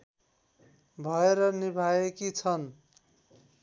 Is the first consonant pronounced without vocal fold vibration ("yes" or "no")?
no